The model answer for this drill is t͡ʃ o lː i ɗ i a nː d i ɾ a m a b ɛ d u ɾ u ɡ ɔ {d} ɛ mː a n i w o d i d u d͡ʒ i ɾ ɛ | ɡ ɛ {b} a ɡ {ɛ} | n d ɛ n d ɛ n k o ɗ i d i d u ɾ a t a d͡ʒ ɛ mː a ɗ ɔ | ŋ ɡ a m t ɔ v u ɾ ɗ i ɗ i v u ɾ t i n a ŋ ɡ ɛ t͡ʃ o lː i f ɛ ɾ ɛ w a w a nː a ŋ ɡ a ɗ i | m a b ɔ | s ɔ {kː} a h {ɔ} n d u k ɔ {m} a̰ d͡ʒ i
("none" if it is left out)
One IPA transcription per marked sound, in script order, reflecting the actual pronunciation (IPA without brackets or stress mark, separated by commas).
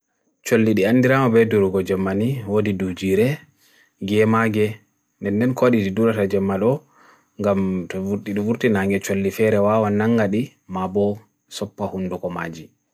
d͡ʒ, m, ɛ, pː, u, m